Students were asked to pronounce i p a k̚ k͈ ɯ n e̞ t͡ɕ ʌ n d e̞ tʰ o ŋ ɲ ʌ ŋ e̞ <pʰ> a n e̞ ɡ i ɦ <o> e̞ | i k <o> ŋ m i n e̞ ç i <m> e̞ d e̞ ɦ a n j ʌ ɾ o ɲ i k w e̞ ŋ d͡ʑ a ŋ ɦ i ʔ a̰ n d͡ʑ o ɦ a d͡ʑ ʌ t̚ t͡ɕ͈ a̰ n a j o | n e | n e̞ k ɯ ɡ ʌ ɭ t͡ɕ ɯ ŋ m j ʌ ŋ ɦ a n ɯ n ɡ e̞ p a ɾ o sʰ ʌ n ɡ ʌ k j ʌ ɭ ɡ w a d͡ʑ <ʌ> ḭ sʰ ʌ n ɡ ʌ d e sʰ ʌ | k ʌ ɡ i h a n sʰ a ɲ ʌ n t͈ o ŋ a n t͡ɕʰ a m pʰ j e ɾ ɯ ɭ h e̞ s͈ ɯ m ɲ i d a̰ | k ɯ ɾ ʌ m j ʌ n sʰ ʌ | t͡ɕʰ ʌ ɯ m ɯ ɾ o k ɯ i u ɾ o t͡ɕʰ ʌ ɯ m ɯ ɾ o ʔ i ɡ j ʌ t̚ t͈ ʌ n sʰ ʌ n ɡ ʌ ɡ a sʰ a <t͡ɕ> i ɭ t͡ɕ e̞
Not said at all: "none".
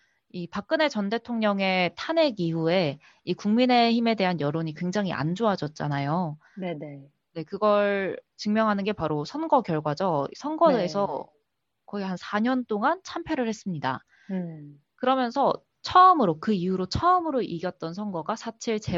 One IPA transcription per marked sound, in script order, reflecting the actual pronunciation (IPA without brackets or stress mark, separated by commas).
tʰ, u, u, m, ʌ, t͡ɕʰ